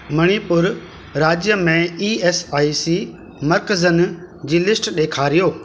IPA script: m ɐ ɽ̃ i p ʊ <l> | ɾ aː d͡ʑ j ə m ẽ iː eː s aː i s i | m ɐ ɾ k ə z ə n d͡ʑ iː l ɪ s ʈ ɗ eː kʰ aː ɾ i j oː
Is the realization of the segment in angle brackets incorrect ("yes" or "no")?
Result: yes